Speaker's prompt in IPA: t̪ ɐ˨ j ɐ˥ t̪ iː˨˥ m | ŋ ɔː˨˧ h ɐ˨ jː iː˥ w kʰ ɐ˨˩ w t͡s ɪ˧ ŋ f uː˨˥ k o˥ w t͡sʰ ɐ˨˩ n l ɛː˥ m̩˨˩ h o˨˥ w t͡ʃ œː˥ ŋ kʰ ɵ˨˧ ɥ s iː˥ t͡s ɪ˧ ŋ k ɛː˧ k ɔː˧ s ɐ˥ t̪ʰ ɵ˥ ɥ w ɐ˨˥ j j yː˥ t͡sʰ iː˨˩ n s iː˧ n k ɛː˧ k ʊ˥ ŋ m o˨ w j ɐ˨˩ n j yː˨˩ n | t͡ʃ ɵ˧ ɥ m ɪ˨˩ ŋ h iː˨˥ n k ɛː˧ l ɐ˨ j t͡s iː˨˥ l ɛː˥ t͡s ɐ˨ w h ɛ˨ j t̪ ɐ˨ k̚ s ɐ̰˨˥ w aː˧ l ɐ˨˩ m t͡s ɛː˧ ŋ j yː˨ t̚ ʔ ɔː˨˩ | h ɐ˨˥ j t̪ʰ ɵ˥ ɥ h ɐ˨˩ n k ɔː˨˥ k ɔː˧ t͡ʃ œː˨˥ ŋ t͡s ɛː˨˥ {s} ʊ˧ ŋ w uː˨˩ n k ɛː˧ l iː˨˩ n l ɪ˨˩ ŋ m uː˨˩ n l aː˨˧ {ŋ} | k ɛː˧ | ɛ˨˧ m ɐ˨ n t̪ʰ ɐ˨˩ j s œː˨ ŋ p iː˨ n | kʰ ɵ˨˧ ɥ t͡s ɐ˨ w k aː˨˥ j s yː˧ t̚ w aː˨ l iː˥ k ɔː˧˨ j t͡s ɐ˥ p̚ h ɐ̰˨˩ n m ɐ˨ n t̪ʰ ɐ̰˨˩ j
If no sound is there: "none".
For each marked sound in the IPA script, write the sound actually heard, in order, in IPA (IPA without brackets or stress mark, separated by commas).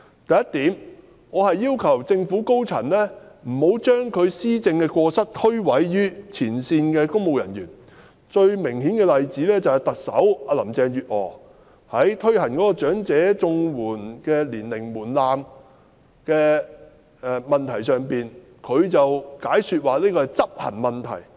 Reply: t͡s, m